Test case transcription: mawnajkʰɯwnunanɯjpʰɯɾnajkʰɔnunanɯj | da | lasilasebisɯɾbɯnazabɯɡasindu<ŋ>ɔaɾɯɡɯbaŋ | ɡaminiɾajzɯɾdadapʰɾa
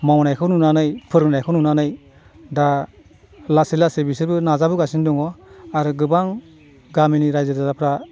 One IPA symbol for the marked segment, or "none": ŋ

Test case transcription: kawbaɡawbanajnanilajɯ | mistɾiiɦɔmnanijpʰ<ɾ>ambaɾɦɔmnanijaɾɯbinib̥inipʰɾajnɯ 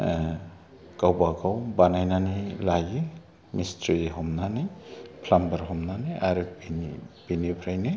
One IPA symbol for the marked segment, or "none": l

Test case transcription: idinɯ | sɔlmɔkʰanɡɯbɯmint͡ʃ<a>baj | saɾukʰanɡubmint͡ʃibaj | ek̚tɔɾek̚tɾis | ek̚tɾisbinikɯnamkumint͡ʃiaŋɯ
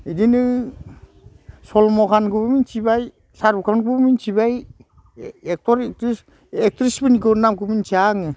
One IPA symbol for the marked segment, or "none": i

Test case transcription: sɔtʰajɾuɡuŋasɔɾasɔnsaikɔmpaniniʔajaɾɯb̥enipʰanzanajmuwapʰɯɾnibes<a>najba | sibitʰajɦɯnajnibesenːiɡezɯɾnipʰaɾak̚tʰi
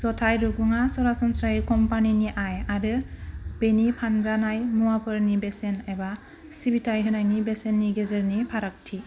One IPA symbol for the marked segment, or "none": e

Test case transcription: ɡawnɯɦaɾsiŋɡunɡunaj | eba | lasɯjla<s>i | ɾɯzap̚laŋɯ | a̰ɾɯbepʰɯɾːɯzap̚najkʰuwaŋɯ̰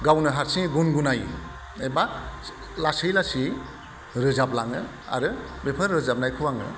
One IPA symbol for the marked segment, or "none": s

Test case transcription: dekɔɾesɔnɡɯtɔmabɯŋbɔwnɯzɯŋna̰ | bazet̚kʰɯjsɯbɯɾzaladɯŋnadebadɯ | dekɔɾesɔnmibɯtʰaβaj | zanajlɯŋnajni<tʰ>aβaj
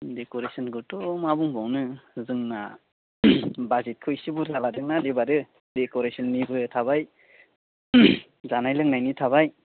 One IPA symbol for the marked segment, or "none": tʰ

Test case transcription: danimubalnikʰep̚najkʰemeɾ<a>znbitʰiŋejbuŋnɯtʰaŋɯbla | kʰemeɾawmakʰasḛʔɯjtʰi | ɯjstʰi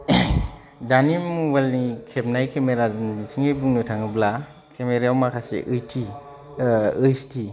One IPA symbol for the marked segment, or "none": a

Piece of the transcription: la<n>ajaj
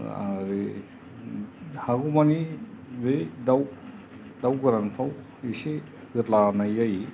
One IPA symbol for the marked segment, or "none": n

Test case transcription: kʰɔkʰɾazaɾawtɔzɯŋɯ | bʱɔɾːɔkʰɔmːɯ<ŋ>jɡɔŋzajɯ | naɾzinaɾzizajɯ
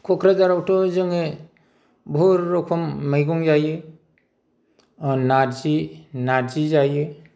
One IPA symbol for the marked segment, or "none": none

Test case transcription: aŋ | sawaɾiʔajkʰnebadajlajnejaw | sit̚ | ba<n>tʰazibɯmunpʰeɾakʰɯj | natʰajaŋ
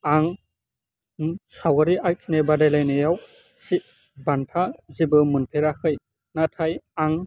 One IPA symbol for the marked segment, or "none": n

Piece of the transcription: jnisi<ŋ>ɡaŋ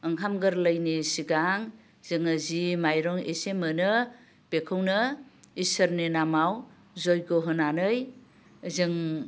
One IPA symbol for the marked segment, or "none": none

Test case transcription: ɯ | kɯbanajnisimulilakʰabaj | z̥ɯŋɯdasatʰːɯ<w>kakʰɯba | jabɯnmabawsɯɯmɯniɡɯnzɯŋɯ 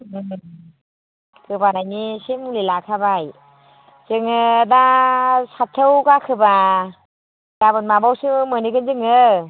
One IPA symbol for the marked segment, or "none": w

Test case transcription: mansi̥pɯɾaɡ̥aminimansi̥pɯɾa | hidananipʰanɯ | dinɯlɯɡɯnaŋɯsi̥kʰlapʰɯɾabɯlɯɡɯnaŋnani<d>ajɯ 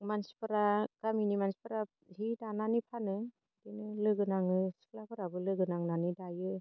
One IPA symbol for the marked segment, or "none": d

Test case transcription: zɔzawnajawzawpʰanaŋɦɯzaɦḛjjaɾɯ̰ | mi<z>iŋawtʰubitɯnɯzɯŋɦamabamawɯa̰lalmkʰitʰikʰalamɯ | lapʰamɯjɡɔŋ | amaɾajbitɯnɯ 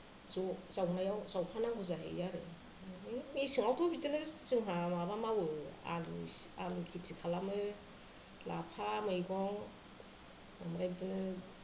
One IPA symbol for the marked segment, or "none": s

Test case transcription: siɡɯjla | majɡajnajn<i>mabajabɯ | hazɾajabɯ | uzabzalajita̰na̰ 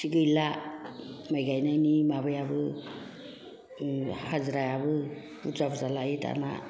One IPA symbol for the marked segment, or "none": i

